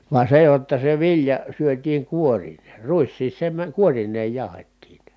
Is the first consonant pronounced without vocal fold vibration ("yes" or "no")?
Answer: no